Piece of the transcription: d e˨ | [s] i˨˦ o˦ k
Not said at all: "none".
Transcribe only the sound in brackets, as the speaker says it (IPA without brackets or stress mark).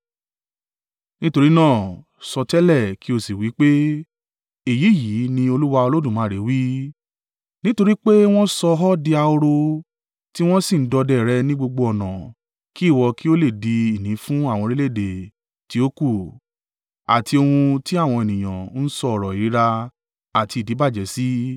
t